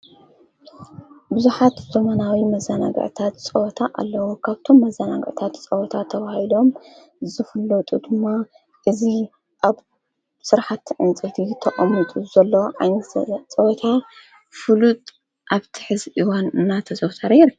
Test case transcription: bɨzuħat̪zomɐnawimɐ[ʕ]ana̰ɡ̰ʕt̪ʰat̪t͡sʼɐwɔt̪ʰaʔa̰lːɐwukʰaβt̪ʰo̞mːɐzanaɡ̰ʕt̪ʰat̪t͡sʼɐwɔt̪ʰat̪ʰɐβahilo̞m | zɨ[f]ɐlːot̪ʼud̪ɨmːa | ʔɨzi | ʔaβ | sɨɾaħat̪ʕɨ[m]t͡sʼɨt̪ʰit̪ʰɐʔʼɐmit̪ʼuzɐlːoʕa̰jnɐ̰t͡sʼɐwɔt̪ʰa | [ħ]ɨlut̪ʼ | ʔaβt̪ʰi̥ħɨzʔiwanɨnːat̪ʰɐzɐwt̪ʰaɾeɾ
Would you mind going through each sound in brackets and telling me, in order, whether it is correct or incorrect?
incorrect: z, correct, incorrect: n, incorrect: f

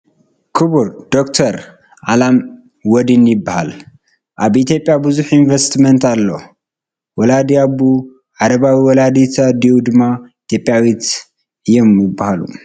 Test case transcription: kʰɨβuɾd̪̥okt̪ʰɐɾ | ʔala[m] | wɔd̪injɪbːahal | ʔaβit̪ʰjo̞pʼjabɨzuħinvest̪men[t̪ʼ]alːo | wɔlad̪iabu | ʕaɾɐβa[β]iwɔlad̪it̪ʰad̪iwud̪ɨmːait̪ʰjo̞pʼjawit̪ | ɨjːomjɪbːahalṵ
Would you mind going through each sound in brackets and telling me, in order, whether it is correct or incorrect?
correct, incorrect: t̪, incorrect: w

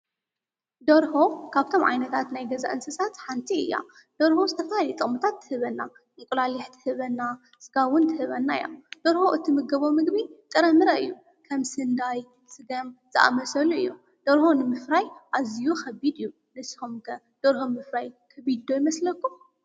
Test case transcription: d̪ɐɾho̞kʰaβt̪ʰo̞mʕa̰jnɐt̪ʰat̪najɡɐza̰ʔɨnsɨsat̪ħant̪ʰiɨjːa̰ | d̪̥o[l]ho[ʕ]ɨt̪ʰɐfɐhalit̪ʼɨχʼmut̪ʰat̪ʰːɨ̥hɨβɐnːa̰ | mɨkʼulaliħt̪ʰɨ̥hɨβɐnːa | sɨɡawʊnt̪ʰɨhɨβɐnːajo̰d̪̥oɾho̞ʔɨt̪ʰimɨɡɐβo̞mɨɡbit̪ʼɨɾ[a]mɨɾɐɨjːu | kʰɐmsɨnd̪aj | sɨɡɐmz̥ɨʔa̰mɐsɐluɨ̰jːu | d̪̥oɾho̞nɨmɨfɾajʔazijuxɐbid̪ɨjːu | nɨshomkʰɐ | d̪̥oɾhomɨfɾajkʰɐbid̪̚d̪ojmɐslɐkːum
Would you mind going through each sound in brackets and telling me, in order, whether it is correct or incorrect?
incorrect: ɾ, incorrect: z, incorrect: ɐ

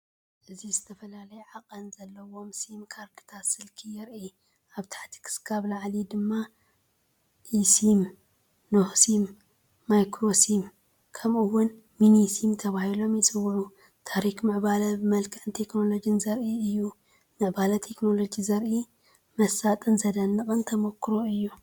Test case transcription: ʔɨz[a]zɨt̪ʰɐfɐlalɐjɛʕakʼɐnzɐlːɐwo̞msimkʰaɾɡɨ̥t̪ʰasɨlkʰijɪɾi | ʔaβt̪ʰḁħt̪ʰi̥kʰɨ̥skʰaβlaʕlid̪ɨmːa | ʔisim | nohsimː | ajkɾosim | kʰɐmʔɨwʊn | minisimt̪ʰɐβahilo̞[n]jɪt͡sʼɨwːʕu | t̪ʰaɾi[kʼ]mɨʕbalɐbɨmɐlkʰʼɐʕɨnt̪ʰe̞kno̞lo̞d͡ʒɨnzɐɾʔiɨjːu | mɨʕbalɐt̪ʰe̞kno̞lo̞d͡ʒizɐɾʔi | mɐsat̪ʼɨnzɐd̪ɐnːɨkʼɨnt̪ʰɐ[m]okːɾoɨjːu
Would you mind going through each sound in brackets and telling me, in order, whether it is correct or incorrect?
incorrect: i, incorrect: m, incorrect: k, correct

